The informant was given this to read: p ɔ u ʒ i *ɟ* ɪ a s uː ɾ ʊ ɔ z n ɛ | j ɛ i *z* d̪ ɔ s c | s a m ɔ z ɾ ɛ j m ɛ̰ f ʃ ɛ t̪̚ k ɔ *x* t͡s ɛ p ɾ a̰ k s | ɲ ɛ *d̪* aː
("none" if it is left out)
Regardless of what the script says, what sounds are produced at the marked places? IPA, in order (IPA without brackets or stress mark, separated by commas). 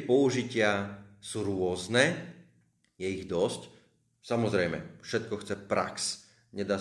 c, ɣ, x, d̪